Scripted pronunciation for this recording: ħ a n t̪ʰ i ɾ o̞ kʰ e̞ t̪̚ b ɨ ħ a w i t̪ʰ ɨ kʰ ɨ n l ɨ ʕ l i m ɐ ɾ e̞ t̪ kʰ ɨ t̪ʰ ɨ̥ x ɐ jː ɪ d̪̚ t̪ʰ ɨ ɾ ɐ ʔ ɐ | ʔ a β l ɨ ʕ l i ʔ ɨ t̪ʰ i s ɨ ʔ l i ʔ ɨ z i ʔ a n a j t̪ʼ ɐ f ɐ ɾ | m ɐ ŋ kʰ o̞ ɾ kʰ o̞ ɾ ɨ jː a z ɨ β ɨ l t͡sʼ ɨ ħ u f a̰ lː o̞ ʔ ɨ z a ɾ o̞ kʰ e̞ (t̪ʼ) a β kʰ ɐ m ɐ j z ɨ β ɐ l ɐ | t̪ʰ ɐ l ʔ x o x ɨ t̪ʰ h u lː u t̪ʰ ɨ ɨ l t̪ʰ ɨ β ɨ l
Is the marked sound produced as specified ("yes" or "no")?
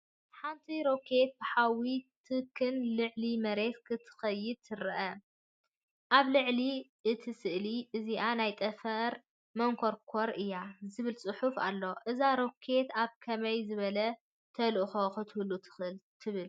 no